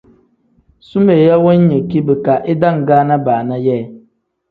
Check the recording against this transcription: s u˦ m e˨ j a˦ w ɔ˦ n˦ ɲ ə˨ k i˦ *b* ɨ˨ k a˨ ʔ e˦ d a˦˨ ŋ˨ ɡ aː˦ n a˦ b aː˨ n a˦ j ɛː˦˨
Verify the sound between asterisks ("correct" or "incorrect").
correct